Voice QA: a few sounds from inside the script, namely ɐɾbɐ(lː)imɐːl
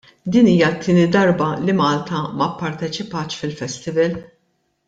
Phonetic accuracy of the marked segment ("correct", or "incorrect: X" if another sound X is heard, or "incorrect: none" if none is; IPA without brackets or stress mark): incorrect: l